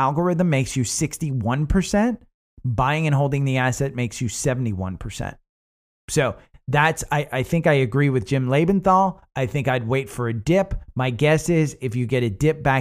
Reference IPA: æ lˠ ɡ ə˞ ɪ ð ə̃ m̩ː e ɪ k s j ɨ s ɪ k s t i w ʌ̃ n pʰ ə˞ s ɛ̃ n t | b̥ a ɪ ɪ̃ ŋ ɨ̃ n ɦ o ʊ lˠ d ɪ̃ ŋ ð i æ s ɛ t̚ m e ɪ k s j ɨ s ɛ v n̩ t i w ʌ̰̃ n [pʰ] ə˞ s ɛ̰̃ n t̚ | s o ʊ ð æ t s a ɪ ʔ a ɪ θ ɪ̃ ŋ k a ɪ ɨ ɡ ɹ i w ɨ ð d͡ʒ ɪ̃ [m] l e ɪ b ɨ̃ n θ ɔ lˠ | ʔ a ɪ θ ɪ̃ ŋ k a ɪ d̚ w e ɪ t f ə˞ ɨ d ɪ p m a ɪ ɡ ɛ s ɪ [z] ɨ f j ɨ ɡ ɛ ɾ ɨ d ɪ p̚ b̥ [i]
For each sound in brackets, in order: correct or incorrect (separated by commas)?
correct, correct, correct, incorrect